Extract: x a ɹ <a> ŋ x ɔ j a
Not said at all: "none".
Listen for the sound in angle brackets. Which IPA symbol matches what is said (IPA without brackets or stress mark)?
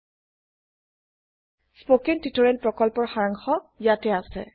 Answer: a